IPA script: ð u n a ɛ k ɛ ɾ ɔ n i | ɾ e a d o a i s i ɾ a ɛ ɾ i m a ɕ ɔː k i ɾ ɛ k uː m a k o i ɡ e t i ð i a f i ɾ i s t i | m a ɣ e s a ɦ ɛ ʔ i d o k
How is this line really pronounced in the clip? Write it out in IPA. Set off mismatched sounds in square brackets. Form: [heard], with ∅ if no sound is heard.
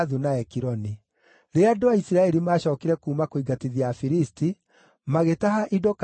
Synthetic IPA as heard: ð u n a ɛ k [i] ɾ ɔ n i | ɾ e a d o a i s i ɾ a ɛ ɾ i m a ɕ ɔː k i ɾ ɛ k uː m a k o i ɡ [a] t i ð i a f i ɾ i s t i | m a ɣ e [t] a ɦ [a] ʔ i d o k